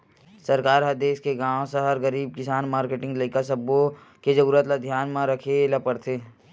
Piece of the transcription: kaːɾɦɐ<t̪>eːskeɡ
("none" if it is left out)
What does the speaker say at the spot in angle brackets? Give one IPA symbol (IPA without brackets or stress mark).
d̪